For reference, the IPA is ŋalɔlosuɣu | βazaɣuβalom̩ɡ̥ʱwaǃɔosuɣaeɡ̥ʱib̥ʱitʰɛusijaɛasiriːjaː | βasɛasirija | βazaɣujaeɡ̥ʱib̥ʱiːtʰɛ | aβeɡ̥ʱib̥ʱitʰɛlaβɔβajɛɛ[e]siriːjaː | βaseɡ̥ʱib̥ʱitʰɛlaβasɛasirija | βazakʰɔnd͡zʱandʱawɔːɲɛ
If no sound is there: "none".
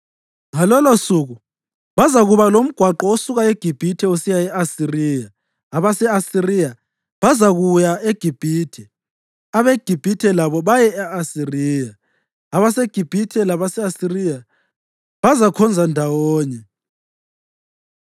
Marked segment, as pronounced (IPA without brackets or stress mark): a